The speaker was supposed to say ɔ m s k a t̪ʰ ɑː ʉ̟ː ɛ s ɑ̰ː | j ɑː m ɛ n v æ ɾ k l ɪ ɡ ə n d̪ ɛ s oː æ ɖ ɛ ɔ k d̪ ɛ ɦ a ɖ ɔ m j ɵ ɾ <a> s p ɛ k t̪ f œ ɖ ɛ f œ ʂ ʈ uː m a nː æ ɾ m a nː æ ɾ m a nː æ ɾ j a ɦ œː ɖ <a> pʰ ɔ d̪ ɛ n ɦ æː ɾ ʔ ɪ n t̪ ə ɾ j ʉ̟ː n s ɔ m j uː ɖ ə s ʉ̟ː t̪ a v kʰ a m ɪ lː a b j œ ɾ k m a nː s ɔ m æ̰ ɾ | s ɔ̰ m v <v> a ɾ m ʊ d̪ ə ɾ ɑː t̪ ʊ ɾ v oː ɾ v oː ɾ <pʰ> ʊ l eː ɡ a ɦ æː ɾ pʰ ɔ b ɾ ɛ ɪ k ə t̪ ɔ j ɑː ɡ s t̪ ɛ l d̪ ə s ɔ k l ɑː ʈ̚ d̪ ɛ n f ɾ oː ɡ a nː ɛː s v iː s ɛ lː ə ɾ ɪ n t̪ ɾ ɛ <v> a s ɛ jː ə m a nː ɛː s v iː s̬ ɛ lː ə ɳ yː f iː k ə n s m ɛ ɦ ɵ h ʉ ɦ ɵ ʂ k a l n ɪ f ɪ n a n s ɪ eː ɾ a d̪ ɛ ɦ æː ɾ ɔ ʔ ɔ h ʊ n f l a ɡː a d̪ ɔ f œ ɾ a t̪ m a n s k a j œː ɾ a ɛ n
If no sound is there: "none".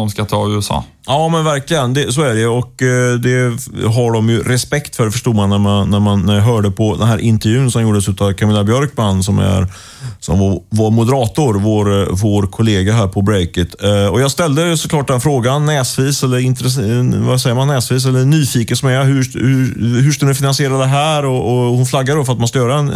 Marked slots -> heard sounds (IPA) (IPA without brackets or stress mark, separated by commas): ɛ, ə, v, kʰ, v